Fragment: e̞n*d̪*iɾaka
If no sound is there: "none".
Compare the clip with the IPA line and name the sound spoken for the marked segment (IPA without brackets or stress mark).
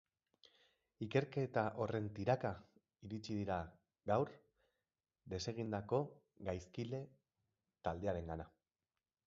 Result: t̪